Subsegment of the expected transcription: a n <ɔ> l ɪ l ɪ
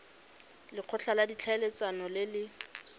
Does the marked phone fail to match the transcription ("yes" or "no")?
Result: no